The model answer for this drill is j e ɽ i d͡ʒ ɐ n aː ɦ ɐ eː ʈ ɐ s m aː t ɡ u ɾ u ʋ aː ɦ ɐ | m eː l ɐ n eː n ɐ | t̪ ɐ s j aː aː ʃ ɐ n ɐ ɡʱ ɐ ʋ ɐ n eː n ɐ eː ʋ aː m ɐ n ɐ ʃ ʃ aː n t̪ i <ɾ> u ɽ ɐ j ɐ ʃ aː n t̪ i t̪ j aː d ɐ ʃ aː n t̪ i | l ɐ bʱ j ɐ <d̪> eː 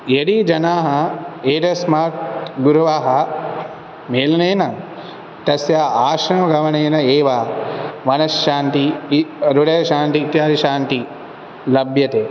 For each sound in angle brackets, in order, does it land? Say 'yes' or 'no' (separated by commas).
yes, no